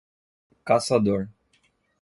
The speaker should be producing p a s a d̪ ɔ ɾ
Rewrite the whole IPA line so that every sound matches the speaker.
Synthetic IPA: k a s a d̪ o ɾ